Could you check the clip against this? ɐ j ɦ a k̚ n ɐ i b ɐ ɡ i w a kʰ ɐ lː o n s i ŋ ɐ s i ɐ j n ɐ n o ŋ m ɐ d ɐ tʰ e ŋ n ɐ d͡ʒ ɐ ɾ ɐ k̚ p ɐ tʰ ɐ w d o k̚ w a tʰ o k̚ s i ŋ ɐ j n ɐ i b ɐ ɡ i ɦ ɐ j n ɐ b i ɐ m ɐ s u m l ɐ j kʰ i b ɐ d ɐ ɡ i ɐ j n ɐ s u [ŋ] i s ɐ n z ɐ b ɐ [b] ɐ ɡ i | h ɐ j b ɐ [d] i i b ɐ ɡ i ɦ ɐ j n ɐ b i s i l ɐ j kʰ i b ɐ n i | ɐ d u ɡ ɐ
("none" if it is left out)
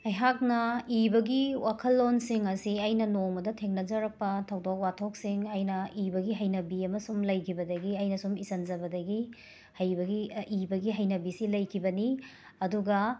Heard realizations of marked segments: m, d, ɡ

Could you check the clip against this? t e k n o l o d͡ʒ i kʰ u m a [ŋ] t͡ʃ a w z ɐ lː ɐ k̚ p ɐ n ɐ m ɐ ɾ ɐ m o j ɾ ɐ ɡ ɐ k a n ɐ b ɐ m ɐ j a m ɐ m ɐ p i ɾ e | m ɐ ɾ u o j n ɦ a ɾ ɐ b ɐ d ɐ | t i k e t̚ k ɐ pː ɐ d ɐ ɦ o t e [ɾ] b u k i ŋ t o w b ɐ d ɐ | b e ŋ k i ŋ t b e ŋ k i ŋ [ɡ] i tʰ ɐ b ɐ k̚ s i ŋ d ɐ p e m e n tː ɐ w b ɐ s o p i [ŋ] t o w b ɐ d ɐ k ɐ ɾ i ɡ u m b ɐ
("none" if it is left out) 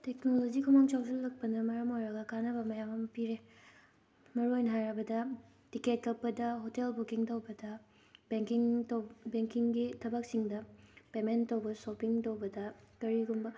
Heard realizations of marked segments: ŋ, l, ɡ, ŋ

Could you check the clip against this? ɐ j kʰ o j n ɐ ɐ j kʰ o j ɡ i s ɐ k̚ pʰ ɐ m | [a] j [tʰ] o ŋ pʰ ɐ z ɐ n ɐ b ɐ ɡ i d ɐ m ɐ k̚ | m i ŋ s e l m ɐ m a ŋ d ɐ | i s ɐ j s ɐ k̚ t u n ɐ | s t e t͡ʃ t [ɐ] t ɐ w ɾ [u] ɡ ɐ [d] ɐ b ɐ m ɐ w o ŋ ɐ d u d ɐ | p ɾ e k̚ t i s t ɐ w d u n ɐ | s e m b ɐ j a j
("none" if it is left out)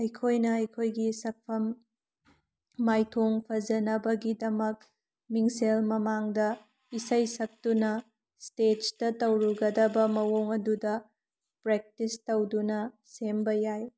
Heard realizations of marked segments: a, tʰ, ɐ, u, d

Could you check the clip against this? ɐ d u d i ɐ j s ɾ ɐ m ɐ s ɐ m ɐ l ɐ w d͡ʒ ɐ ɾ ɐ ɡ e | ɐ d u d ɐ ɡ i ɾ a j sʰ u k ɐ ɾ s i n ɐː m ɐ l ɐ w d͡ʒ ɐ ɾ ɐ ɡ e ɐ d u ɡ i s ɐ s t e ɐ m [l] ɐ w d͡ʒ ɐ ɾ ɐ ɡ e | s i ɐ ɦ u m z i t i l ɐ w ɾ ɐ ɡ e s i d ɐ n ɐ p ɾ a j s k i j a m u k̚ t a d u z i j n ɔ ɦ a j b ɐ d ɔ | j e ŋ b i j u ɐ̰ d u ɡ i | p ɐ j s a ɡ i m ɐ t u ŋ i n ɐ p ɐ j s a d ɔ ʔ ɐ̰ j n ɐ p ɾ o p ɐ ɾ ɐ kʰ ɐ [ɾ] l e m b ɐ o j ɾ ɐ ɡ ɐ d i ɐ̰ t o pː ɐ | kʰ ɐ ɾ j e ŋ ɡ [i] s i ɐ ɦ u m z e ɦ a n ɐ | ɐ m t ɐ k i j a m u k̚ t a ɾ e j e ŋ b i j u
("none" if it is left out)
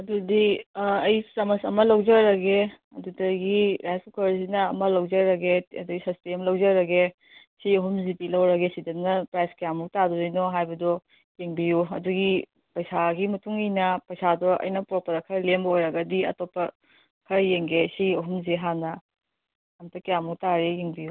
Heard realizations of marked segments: l, ɾ, e

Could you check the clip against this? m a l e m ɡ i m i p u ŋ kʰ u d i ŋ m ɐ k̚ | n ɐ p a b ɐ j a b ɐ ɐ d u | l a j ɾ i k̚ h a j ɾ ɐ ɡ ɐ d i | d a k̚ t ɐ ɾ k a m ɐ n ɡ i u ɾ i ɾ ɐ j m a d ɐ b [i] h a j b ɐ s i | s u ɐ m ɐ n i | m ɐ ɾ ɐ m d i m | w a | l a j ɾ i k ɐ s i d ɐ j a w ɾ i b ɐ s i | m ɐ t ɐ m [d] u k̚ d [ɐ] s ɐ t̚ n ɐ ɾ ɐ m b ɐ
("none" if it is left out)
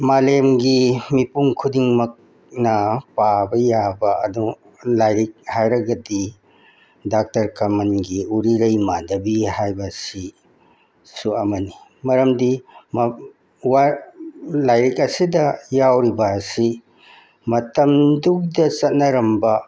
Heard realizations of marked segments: i, d, ɐ

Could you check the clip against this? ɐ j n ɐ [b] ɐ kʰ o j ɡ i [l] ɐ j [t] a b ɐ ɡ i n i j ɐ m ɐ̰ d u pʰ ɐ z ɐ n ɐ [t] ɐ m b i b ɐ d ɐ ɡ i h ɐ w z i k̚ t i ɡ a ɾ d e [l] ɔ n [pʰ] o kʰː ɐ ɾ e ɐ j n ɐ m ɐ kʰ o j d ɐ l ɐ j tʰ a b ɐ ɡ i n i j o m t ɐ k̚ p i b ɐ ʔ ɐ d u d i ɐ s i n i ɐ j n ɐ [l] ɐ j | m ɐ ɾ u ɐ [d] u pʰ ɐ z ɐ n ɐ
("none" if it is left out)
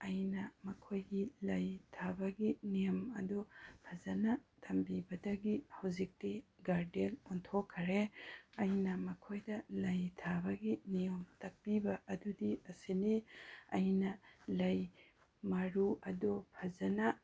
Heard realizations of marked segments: m, l, tʰ, tʰ, l, tʰ, l, d

